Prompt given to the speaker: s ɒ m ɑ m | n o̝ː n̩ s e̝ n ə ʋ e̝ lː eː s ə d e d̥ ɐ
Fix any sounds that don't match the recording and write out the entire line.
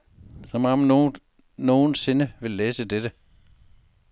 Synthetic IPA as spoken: s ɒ m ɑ m | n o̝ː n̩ s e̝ n ə ʋ e̝ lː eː s ə d e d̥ ə